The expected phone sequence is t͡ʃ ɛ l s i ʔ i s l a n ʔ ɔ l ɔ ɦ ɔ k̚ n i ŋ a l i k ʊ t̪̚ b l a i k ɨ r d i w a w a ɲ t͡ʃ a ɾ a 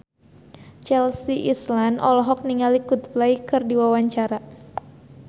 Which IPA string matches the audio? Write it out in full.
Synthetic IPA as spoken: t͡ʃ ɛ l s i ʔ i s l a n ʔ ɔ l ɔ ɦ ɔ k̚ n i ŋ a l i k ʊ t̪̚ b l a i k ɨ r d i w a w a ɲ t͡ʃ a ɾ a

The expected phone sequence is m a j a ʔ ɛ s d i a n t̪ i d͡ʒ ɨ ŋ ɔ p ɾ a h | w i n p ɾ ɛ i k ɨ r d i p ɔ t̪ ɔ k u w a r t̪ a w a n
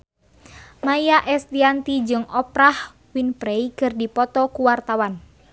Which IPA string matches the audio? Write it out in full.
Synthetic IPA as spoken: m a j a ʔ ɛ s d i a n t̪ i d͡ʒ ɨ ŋ ɔ p ɾ a h | w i n p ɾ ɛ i k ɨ r d i p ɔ t̪ ɔ k u w a r t̪ a w a n

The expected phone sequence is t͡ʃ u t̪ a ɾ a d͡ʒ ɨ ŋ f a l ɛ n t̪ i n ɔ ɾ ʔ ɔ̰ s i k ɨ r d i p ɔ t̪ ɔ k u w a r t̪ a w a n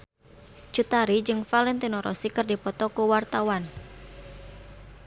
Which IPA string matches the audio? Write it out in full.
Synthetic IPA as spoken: t͡ʃ u t̪ a ɾ i d͡ʒ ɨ ŋ f a l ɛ n t̪ i n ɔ ɾ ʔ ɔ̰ s i k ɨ r d i p ɔ t̪ ɔ k u w a r t̪ a w a n

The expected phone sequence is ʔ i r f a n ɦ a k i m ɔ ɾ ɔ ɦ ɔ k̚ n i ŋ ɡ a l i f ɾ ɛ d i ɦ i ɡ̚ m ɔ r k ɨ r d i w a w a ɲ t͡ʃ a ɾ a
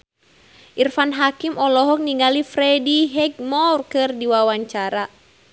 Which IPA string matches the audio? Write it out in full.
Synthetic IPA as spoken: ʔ i r f a n ɦ a k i m ɔ l ɔ ɦ ɔ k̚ n i ŋ ɡ a l i f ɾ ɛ d i ɦ ɛ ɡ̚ m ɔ r k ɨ r d i w a w a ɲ t͡ʃ a ɾ a

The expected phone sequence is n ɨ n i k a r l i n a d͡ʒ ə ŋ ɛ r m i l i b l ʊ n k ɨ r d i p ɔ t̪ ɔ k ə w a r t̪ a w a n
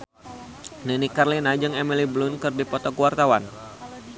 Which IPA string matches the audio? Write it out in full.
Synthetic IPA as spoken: n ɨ n i k a r l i n a d͡ʒ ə ŋ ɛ m i l i b l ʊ n k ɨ r d i p ɔ t̪ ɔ k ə w a r t̪ a w a n

